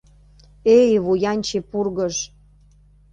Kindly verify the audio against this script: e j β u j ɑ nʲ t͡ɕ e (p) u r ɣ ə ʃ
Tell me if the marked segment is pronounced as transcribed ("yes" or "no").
yes